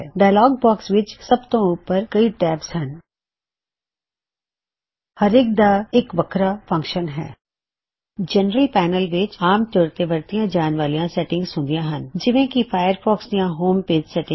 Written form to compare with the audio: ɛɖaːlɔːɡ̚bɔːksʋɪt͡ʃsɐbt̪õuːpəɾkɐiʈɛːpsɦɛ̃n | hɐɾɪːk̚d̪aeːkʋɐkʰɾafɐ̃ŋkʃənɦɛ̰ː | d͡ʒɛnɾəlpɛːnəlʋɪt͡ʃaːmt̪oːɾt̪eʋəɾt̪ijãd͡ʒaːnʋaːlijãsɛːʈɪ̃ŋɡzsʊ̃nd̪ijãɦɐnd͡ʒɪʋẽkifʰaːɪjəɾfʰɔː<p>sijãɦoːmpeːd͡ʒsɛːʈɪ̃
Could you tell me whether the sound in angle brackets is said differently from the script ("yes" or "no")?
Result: yes